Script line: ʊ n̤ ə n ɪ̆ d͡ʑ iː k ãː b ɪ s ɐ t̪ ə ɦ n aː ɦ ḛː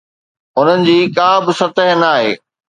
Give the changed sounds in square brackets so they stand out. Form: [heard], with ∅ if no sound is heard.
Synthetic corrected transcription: ʊ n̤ ə n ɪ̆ d͡ʑ iː k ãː b ɪ s ɐ t̪ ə ɦ n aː ɦ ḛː